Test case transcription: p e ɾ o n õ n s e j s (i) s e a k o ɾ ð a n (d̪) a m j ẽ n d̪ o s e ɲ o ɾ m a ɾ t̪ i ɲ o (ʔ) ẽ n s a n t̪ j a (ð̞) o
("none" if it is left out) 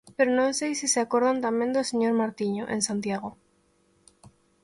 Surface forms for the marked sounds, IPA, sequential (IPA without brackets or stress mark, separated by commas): i, t̪, ʔ, ɣ̞